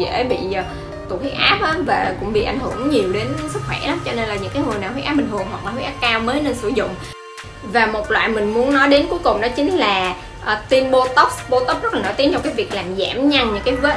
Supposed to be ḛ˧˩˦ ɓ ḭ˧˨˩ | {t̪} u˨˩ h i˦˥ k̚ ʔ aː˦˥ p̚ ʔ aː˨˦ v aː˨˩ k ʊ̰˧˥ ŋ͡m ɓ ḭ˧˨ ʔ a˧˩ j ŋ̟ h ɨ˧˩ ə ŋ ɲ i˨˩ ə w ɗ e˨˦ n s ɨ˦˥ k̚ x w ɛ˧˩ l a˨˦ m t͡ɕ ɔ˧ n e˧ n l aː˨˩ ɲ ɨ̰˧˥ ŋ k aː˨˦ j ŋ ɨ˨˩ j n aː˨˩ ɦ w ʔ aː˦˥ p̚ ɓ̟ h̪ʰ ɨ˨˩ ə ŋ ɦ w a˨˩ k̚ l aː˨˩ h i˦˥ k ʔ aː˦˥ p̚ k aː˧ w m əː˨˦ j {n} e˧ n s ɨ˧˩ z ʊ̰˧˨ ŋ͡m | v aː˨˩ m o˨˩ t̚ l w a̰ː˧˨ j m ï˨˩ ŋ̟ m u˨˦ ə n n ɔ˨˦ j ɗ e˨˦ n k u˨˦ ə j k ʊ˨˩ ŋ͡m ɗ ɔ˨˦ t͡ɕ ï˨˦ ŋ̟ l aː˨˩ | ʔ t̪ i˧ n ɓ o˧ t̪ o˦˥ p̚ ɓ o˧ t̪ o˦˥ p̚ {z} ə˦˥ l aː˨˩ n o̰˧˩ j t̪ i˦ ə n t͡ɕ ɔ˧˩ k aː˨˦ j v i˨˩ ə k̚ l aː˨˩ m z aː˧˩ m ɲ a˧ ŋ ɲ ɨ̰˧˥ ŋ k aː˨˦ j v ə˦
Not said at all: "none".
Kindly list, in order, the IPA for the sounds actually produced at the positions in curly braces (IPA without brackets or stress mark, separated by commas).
t̪, n, z